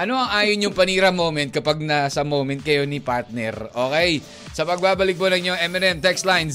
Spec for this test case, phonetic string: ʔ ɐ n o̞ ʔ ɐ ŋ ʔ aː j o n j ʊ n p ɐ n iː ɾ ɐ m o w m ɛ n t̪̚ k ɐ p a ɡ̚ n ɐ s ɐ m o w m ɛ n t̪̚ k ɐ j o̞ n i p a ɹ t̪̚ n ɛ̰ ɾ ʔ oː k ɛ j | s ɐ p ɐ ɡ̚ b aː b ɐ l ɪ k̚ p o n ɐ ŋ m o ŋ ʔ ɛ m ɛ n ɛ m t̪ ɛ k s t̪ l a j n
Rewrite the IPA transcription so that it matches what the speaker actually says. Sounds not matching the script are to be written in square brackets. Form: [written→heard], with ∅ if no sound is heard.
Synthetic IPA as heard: ʔ ɐ n o̞ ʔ ɐ ŋ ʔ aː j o n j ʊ [n→ŋ] p ɐ n iː ɾ ɐ m o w m ɛ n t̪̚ k ɐ p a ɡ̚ n ɐ s ɐ m o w m ɛ n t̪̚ k ɐ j o̞ n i p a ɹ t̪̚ n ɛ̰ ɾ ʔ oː k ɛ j | s ɐ p ɐ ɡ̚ b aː b ɐ l ɪ k̚ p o n ɐ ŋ [m→ɲ] o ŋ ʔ ɛ m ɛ n ɛ m t̪ ɛ k s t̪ l a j n